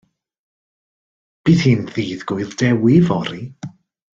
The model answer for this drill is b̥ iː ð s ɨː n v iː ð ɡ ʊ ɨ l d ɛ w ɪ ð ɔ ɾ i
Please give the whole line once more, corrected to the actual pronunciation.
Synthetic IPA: b̥ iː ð h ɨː n ð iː ð ɡ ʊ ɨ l d ɛ w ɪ v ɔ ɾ i